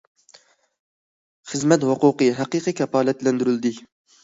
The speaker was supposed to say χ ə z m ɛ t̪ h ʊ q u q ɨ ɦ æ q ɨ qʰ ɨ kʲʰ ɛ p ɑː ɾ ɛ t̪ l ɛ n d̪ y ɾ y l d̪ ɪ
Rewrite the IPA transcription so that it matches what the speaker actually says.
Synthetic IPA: χ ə z m ɛ t̪ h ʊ q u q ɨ ɦ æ q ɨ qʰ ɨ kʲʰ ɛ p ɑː l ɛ t̪ l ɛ n d̪ y ɾ y l d̪ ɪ